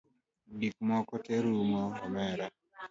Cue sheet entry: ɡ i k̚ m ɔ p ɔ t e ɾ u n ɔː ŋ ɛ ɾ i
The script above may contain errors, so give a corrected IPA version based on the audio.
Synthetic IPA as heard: d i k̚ m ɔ k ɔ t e ɾ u m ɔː m ɛ ɾ a